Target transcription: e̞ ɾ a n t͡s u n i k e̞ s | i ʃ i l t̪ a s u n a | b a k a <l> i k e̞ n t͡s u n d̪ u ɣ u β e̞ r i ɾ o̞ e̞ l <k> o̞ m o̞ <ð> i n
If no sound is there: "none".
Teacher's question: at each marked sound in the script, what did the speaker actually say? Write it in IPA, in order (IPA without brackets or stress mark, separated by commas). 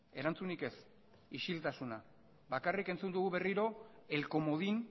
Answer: r, k, ð